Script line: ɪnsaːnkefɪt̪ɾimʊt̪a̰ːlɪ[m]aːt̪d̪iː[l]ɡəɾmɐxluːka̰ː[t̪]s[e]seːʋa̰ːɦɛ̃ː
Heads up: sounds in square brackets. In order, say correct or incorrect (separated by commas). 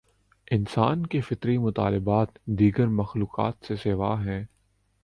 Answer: incorrect, incorrect, correct, correct